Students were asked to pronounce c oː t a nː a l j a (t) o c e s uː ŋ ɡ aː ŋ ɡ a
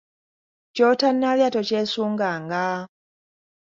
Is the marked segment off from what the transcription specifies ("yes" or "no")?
no